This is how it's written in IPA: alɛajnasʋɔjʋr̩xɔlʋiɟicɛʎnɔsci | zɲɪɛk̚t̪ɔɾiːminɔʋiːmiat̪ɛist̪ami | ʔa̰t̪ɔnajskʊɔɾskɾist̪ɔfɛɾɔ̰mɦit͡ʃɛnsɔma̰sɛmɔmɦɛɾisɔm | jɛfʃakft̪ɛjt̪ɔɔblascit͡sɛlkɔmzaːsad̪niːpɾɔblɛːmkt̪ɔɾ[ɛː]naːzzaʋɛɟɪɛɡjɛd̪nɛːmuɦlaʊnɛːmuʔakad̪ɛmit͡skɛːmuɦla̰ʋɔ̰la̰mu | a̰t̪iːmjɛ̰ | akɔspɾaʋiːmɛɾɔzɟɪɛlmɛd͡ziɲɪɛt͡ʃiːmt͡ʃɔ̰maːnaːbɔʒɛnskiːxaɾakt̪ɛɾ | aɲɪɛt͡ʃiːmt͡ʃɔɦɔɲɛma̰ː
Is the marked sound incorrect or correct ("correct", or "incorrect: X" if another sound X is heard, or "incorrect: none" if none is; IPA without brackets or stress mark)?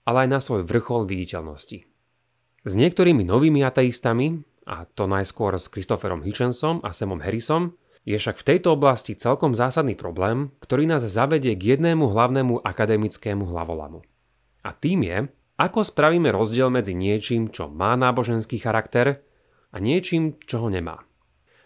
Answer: incorrect: iː